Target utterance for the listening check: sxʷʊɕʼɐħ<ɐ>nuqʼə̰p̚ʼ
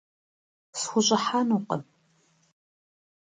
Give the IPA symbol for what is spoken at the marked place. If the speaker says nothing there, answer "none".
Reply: a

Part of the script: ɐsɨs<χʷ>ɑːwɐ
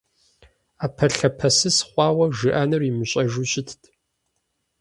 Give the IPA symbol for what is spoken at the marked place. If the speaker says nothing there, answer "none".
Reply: χʷ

